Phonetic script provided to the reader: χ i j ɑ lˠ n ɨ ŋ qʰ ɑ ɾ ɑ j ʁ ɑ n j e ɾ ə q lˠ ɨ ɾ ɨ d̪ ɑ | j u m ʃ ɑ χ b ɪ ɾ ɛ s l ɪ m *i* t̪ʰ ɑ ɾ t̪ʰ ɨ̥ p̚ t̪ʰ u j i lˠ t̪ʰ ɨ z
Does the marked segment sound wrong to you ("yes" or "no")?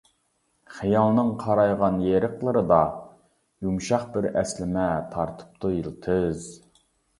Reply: yes